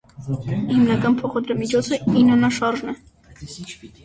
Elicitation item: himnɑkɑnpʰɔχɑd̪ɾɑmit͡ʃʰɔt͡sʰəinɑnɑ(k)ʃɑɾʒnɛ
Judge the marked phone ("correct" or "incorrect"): incorrect